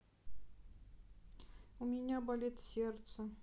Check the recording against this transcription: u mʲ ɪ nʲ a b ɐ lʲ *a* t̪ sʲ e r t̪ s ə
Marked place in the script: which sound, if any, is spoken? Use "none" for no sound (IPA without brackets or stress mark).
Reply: e